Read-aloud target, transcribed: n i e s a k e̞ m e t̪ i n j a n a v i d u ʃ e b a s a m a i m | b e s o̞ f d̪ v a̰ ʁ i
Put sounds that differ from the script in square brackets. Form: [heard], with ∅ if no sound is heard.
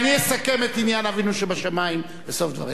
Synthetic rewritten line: n i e s a k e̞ m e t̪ i n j a n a v i [n] u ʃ e b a [ʃ] a m a i m | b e s o̞ f d̪ v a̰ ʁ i